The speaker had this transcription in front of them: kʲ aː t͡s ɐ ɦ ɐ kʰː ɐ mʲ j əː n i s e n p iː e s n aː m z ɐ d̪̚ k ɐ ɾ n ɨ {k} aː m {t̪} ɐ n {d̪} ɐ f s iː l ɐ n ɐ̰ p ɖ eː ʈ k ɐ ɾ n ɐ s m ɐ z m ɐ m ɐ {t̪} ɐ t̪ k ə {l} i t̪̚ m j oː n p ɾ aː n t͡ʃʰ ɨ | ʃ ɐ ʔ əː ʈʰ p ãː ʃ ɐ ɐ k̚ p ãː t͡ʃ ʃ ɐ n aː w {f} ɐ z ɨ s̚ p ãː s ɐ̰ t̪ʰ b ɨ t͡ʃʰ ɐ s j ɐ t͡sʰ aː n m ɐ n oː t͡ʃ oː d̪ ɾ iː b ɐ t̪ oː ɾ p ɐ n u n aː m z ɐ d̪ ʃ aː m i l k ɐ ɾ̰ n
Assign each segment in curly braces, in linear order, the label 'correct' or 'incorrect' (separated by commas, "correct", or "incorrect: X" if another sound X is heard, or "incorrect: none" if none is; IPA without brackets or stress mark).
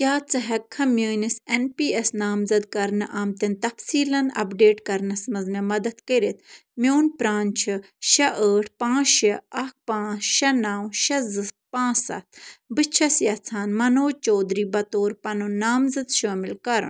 incorrect: ʔ, correct, incorrect: t̪, incorrect: d̪, incorrect: ɾ, incorrect: ʃ